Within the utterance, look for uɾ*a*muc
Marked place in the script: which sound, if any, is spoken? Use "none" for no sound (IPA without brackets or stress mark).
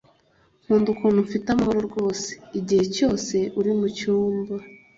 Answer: i